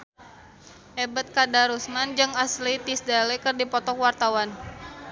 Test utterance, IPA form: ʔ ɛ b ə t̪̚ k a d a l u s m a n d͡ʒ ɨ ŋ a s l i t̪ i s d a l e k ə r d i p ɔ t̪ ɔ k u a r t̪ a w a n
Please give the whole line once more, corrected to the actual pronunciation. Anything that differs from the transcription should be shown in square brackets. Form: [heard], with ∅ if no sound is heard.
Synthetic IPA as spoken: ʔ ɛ b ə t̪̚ k a d a [ɾ] u s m a n d͡ʒ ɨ ŋ a s l i t̪ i s d a l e k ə r d i p ɔ t̪ ɔ k [w] a r t̪ a w a n